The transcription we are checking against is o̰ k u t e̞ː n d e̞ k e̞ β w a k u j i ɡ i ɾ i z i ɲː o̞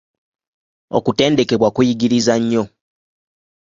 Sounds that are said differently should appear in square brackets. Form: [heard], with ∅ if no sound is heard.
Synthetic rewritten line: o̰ k u t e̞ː n d e̞ k e̞ β w a k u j i ɡ i ɾ i z [a] ɲː o̞

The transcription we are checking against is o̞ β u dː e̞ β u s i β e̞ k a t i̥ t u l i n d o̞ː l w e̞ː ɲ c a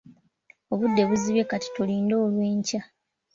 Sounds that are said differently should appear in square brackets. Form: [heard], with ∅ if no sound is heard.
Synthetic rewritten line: o̞ β u dː e̞ β u [z] i β e̞ k a t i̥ t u l [iː] n d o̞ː l w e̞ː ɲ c a

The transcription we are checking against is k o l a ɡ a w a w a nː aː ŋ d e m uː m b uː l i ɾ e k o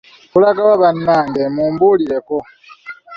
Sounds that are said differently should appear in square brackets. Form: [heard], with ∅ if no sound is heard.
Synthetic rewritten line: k [u] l a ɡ a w a [β] a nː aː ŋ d e m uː m b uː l i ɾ e k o

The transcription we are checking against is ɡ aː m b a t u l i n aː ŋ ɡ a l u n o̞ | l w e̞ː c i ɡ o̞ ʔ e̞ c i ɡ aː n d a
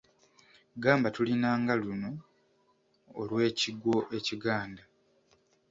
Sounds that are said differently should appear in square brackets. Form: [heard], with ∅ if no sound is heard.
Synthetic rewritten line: ɡ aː m b a t u l i n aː ŋ ɡ a l u n o̞ | l w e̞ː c i ɡ o̞ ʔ e̞ c i ɡ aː n d a

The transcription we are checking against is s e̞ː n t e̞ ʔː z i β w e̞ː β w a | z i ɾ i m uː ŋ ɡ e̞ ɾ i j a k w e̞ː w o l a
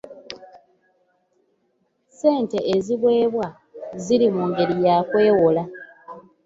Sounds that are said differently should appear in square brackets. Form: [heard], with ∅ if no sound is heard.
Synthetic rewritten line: s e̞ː n t e̞ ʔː z i β w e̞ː β w a | z i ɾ i m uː ŋ ɡ e̞ ɾ i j a k w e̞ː w o l a

